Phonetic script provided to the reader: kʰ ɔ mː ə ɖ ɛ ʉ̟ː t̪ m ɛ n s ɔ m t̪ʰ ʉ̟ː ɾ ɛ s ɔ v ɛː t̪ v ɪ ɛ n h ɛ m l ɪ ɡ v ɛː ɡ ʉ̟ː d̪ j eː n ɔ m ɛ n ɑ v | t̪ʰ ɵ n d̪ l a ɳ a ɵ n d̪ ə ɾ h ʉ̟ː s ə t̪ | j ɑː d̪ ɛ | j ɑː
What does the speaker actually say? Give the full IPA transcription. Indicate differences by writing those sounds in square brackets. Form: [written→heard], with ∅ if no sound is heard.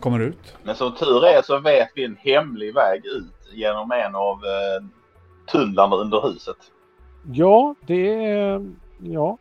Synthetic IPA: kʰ ɔ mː ə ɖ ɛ ʉ̟ː t̪ m ɛ n s ɔ m t̪ʰ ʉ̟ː ɾ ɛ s ɔ v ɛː t̪ v ɪ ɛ n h ɛ m l ɪ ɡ v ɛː ɡ ʉ̟ː [d̪→t̪] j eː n ɔ m ɛ n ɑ v | t̪ʰ ɵ n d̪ l a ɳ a ɵ n d̪ ə ɾ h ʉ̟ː s ə t̪ | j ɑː d̪ ɛ | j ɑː